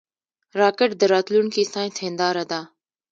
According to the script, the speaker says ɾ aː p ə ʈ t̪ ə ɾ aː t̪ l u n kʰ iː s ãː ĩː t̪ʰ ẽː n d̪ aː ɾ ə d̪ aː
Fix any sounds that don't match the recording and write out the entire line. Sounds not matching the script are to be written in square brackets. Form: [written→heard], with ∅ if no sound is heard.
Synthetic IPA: ɾ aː [p→k] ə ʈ [t̪→d̪] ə ɾ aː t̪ l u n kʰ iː s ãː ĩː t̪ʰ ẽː n d̪ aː ɾ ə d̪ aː